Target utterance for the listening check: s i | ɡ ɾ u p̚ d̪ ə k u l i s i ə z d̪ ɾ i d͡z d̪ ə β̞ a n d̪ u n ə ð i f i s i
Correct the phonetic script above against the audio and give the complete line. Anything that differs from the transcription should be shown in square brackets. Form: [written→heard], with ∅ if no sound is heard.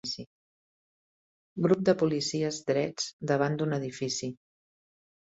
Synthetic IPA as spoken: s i | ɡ ɾ u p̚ d̪ ə [k→p] u l i s i ə z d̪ ɾ [i→ɛ] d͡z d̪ ə β̞ a n d̪ u n ə ð i f i s i